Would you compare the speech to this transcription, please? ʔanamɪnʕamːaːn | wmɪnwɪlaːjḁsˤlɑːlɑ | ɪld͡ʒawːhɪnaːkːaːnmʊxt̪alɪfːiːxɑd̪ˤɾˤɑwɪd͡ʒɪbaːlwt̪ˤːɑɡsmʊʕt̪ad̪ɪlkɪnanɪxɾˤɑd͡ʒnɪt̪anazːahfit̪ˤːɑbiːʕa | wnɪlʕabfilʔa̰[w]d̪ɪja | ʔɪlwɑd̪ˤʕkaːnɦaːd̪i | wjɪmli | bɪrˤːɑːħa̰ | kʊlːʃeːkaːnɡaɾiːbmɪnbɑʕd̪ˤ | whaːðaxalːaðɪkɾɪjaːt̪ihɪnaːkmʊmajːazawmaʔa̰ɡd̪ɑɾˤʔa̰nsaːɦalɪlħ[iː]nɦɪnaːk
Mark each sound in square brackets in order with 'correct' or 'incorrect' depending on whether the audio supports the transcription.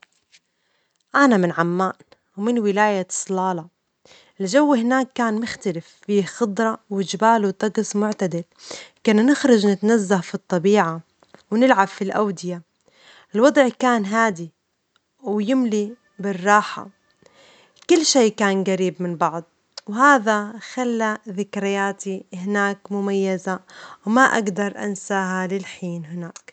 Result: correct, correct

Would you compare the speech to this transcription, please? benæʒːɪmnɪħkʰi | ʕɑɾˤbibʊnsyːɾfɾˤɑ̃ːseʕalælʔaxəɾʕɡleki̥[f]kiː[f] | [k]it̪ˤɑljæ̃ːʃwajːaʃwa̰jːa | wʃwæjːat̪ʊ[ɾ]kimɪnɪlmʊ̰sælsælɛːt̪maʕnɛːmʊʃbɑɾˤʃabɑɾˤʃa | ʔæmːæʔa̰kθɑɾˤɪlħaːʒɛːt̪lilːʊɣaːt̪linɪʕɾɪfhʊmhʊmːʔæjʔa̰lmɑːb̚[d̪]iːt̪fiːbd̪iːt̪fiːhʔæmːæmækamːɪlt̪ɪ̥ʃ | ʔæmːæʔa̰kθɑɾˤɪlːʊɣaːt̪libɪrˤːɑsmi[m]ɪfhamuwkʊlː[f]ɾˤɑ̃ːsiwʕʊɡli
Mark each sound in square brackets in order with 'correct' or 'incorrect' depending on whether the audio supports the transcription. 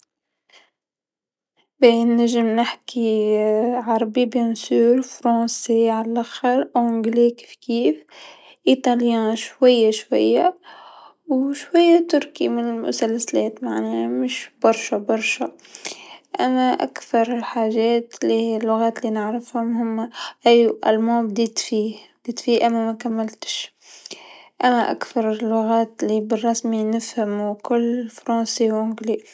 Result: correct, correct, incorrect: ʔ, correct, correct, incorrect: n, correct

